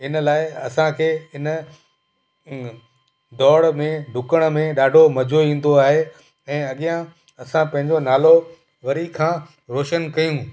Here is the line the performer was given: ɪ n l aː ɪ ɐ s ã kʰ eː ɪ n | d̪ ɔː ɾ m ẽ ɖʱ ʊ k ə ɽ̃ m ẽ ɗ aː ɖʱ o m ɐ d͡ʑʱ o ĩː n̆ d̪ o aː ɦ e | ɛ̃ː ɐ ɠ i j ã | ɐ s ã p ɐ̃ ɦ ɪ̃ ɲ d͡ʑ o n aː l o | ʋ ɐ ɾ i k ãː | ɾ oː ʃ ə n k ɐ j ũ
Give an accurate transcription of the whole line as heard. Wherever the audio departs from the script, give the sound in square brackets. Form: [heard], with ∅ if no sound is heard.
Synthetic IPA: ɪ n l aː ɪ ɐ s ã kʰ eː ɪ n | d̪ ɔː [ɽ] m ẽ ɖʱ ʊ k ə ɽ̃ m ẽ ɗ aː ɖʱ o m ɐ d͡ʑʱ o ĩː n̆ d̪ o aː ɦ e | ɛ̃ː ɐ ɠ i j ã | ɐ s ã p ɐ̃ ɦ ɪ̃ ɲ d͡ʑ o n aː l o | ʋ ɐ ɾ i [kʰ] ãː | ɾ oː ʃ ə n k ɐ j ũ